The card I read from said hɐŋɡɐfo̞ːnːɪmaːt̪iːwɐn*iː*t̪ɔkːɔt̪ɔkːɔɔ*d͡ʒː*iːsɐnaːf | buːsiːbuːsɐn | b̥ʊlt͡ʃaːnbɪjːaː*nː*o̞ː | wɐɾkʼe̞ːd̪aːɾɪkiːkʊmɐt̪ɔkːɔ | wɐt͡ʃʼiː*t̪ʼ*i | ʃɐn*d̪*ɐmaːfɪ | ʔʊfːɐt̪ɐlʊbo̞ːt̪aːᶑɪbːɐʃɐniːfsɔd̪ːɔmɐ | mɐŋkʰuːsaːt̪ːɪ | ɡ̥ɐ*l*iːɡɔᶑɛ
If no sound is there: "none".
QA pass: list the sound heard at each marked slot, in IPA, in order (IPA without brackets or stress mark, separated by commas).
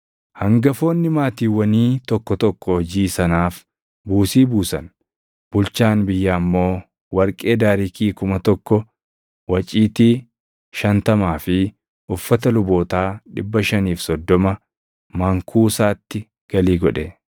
iː, d͡ʒ, mː, t̪, t̪, l